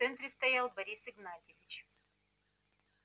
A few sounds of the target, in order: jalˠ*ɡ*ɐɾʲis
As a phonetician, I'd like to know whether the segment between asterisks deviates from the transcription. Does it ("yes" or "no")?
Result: yes